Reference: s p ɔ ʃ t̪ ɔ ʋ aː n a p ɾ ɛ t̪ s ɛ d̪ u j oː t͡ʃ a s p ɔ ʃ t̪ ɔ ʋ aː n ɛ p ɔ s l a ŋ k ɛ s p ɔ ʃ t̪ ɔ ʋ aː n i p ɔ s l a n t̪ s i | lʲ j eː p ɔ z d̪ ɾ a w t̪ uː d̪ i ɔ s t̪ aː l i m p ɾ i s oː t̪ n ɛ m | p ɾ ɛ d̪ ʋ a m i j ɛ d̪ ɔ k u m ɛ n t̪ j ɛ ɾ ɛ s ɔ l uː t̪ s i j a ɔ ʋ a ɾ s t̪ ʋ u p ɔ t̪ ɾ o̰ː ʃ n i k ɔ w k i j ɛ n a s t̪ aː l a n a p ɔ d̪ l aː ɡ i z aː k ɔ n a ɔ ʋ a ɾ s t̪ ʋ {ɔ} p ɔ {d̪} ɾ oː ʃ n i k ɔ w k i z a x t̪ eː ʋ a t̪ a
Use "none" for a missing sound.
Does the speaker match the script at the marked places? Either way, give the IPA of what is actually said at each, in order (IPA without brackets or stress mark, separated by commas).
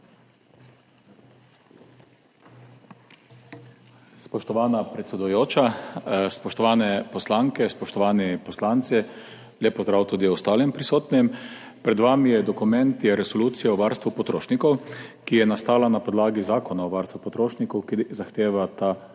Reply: u, t̪